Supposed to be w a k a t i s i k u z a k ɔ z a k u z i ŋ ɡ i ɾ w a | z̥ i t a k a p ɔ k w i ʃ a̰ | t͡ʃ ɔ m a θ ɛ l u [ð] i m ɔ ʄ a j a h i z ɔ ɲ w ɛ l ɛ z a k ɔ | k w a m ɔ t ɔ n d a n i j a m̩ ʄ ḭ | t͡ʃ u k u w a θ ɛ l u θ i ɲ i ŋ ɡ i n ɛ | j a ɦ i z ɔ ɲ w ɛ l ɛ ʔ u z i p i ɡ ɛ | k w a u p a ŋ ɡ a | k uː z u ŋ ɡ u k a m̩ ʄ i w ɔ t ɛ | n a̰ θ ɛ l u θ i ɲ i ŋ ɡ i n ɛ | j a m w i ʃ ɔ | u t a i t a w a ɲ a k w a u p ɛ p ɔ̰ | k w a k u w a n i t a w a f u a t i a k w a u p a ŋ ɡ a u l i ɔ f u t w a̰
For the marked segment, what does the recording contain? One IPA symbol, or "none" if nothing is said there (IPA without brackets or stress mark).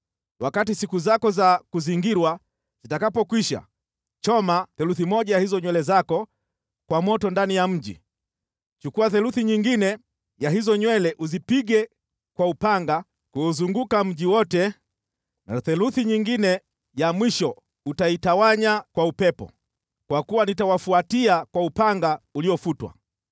θ